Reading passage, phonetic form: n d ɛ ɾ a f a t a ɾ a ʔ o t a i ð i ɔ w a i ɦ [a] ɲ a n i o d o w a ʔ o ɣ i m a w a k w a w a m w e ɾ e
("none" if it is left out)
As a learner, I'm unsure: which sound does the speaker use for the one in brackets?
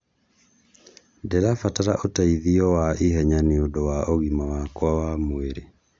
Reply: ɛ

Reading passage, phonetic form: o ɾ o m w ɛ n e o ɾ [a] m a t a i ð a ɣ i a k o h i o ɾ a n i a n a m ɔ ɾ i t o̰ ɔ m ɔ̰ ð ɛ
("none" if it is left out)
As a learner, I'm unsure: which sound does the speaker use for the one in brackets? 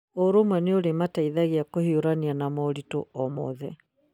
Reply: e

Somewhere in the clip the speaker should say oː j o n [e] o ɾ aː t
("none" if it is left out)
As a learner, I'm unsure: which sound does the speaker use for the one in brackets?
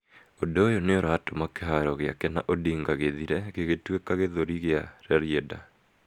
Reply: e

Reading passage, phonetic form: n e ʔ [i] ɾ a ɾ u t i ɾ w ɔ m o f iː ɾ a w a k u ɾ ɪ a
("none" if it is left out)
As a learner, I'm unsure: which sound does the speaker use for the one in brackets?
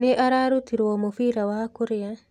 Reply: a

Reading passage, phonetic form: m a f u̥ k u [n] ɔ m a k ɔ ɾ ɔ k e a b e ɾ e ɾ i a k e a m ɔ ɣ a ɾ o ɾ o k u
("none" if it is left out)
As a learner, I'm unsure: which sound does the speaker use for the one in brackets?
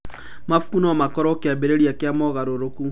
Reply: n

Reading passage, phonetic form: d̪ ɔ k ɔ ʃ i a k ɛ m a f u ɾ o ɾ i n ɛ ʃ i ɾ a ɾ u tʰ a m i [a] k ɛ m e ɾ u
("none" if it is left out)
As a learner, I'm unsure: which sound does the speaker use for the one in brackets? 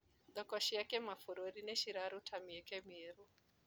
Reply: ɛ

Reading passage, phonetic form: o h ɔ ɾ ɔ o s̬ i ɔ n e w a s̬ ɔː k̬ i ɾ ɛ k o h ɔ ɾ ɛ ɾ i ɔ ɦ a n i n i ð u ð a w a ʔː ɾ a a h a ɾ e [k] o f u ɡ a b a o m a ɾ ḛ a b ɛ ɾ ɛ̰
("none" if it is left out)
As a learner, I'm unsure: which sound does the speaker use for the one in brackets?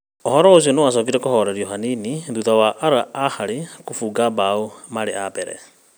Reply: k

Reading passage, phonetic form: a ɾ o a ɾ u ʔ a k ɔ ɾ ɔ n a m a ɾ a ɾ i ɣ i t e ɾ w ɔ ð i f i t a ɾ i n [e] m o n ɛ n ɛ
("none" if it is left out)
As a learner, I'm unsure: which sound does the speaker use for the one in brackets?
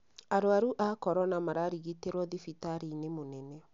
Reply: e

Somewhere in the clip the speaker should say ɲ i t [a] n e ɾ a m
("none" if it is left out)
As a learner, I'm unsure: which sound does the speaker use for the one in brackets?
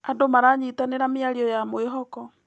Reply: a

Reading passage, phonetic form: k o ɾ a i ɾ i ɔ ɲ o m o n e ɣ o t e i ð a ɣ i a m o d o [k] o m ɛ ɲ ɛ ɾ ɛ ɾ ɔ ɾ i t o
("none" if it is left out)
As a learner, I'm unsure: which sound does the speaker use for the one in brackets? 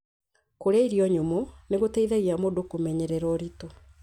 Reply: k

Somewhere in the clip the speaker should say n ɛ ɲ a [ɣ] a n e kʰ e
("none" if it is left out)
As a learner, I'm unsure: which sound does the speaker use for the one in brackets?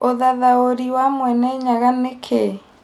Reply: ɣ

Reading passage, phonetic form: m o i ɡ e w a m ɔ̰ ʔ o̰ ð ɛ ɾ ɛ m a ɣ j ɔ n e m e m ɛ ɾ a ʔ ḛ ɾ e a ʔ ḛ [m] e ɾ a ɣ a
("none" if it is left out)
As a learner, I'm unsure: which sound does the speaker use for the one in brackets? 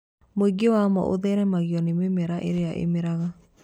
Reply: m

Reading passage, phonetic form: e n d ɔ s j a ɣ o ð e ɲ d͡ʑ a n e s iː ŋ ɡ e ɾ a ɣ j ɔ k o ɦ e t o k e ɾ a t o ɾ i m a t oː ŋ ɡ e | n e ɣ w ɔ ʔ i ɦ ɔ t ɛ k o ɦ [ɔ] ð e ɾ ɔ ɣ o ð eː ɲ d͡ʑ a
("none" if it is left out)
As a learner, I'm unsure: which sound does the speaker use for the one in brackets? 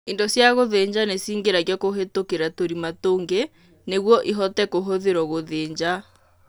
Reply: o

